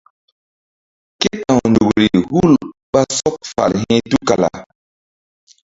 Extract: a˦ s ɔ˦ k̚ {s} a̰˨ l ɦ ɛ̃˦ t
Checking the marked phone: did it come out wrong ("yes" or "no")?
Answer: yes